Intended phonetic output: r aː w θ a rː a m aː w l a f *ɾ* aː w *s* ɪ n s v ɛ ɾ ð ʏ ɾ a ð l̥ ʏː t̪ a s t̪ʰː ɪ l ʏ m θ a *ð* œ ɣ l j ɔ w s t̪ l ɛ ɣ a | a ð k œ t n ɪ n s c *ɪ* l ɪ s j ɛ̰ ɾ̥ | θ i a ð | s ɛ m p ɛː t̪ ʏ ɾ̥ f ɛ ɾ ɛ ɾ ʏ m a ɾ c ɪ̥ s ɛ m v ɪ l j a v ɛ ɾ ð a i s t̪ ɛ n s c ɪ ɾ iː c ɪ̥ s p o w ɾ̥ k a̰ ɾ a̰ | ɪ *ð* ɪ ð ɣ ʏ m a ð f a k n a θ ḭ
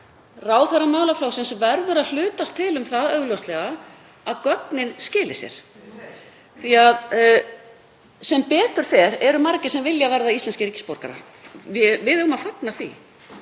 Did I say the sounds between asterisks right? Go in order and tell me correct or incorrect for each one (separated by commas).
incorrect, correct, correct, incorrect, incorrect